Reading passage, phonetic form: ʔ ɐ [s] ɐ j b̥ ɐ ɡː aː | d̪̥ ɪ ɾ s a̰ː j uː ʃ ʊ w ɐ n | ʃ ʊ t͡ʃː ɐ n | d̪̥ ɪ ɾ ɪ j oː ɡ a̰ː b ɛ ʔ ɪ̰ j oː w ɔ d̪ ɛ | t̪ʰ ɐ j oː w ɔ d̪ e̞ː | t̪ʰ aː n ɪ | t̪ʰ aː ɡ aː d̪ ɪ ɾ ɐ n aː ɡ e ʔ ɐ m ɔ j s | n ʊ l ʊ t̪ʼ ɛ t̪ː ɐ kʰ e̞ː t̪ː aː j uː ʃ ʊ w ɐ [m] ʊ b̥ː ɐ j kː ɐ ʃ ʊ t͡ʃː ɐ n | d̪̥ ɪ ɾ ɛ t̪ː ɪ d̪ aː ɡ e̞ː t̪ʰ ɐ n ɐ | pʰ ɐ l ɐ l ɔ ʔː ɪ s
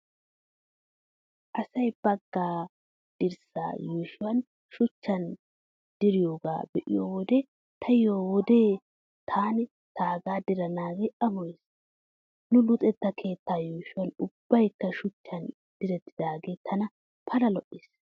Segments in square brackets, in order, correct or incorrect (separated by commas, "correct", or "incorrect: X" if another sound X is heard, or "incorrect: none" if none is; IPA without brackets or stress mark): correct, incorrect: n